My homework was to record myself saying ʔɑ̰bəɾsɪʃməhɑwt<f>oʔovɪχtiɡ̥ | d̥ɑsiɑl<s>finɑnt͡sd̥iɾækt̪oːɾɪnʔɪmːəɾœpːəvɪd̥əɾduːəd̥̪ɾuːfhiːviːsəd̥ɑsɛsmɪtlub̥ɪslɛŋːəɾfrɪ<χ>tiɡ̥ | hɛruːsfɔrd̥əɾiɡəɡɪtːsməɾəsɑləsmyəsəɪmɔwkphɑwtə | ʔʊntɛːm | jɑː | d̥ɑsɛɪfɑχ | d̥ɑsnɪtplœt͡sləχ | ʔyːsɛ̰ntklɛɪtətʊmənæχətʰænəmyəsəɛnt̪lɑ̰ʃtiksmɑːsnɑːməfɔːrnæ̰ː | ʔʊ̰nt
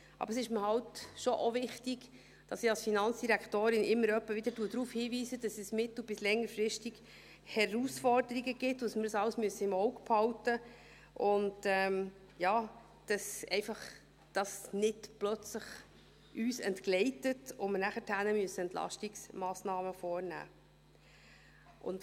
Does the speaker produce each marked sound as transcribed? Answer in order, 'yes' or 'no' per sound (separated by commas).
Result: no, yes, no